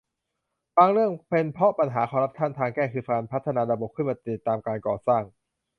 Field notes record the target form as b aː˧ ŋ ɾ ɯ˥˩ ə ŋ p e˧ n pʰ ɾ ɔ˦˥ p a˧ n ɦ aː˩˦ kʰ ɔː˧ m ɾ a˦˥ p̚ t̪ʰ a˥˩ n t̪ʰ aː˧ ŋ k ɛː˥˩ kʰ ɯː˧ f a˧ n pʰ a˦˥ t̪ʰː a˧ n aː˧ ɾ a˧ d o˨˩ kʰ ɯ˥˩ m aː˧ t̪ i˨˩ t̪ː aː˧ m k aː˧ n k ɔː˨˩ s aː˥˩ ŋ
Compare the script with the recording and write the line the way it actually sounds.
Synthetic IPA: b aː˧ ŋ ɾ ɯ˥˩ ə ŋ p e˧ n pʰ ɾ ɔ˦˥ p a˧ n ɦ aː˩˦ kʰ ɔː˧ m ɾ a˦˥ p̚ t̪ʰ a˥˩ n t̪ʰ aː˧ ŋ k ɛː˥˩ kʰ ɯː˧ f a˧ n pʰ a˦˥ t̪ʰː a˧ n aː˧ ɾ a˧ b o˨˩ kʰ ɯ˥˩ m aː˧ t̪ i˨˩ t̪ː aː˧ m k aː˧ n k ɔː˨˩ s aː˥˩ ŋ